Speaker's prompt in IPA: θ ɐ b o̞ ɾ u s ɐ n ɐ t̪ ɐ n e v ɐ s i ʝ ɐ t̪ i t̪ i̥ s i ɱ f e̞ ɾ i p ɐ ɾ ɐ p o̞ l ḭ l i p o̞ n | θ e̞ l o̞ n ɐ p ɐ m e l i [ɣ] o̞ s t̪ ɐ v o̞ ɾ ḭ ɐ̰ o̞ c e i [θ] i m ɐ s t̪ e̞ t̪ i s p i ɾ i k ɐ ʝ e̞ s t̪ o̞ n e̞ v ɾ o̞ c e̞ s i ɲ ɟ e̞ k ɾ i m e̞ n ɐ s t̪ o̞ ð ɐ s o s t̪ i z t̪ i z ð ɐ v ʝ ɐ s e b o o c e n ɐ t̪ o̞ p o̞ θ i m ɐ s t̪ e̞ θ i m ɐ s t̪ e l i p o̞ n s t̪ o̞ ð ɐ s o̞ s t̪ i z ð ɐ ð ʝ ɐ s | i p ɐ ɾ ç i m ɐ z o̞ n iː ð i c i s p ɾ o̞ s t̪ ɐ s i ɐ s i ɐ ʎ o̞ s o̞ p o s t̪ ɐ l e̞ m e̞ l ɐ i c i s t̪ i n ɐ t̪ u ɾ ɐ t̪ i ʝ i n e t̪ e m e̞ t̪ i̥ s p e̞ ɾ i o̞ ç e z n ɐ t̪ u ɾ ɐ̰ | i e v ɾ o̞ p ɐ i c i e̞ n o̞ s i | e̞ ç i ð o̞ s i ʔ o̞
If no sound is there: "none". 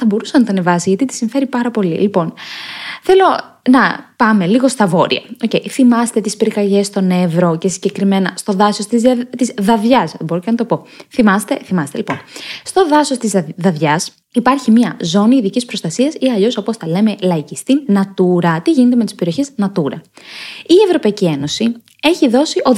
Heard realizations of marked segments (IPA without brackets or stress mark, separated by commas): ɣ, θ